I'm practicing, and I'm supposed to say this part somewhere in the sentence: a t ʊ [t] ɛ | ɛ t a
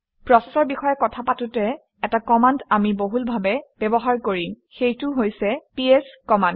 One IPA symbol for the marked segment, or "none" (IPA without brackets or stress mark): t